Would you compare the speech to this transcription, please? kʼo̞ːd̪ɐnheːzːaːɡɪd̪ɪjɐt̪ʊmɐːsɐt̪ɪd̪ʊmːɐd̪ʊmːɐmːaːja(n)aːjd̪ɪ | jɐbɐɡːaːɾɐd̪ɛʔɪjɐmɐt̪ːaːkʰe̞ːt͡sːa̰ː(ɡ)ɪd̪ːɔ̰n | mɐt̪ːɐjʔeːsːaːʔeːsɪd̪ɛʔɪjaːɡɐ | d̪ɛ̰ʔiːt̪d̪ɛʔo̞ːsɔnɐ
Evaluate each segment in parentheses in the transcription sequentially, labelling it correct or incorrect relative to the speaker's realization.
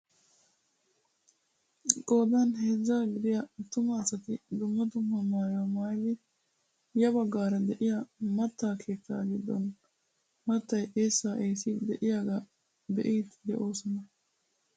incorrect: m, correct

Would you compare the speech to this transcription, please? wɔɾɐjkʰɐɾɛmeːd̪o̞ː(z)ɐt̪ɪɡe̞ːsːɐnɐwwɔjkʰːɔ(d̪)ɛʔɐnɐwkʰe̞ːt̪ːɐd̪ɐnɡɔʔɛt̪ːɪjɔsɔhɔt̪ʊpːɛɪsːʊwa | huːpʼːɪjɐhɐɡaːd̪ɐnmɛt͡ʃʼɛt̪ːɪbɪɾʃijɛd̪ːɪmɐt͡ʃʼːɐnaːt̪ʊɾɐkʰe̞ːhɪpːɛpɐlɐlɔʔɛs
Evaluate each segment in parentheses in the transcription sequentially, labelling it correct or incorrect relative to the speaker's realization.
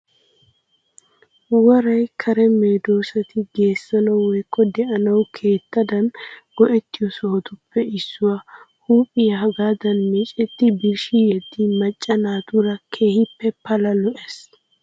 incorrect: s, correct

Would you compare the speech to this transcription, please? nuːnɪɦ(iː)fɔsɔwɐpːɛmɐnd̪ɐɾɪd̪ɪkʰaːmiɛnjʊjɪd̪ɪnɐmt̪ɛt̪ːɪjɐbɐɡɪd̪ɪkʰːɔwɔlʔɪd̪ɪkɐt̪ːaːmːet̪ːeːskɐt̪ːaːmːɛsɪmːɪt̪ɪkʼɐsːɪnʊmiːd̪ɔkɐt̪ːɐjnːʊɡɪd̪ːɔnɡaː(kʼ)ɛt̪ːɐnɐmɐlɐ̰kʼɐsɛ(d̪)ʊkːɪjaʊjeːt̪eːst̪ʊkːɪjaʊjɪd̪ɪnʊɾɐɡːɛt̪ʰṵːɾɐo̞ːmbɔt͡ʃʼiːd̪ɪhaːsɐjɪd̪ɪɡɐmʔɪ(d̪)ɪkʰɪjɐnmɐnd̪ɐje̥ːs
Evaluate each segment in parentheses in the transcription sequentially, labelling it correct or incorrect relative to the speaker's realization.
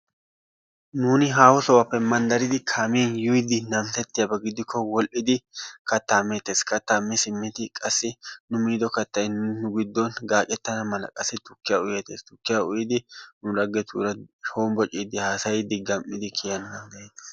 incorrect: aː, correct, incorrect: t̪, correct

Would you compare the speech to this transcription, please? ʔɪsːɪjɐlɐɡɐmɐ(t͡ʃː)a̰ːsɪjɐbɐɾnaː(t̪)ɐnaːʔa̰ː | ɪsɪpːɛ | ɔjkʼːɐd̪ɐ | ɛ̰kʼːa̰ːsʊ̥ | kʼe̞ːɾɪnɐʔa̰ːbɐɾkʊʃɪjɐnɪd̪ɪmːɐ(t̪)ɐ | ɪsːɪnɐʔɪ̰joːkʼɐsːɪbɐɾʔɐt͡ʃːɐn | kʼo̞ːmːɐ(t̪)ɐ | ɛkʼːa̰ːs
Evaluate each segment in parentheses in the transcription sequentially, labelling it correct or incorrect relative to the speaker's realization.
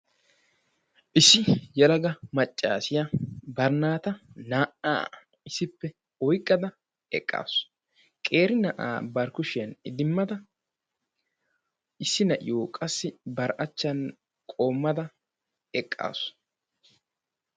incorrect: t͡ʃʼː, correct, incorrect: d̪, incorrect: d̪

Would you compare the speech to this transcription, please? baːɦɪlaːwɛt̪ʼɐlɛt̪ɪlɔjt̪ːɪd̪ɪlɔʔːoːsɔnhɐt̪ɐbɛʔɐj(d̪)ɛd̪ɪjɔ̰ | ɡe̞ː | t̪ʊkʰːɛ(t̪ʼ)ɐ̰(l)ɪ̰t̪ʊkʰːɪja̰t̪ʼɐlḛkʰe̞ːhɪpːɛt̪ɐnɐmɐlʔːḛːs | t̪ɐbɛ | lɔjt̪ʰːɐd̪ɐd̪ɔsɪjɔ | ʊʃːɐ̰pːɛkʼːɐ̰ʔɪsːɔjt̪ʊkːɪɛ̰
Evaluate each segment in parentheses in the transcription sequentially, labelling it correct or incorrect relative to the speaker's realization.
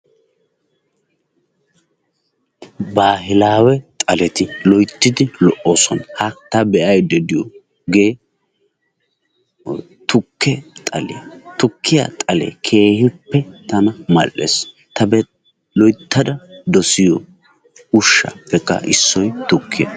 correct, correct, correct

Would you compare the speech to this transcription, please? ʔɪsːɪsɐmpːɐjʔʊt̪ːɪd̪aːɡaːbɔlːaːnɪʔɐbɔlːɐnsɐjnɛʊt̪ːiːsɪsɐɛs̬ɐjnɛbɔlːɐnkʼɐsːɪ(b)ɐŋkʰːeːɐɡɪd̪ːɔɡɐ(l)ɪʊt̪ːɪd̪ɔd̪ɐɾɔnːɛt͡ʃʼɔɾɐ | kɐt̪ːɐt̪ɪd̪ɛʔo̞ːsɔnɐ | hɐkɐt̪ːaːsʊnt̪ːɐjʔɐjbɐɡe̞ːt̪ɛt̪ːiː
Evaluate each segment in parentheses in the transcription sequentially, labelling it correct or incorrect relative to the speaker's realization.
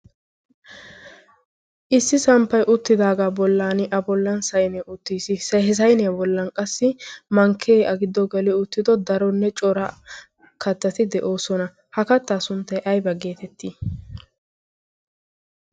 incorrect: m, correct

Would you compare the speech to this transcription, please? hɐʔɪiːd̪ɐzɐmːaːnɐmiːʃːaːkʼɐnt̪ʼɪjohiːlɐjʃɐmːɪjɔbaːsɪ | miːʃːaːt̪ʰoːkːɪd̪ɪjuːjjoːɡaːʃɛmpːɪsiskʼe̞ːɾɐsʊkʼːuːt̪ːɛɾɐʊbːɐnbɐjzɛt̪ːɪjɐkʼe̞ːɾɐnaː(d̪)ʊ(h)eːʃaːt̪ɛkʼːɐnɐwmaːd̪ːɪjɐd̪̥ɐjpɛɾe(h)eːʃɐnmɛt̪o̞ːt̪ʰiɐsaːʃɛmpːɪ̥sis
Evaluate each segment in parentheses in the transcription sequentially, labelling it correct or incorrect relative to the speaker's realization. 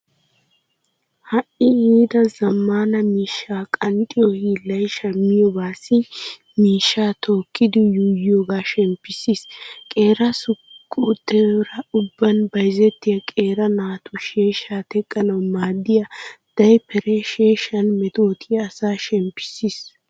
incorrect: t̪, incorrect: ʃ, incorrect: ʃ

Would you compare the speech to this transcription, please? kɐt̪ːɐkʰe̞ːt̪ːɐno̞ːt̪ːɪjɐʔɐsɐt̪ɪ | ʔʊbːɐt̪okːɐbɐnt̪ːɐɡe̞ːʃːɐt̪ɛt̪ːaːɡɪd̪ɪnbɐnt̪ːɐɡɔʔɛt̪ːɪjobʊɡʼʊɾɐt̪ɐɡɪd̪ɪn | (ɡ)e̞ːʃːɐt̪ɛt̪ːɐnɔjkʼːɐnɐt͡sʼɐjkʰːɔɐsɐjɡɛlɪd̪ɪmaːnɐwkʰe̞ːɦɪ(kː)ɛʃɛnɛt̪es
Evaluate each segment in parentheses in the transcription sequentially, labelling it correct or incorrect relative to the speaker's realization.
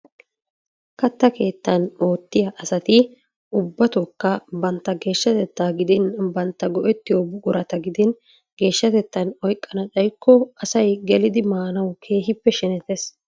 correct, incorrect: pː

